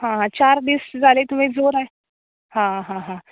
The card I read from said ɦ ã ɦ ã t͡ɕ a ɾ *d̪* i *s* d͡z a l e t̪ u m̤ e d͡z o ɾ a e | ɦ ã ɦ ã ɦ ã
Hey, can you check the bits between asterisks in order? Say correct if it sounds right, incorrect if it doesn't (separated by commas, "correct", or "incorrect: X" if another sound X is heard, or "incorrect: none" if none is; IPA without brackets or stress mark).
correct, correct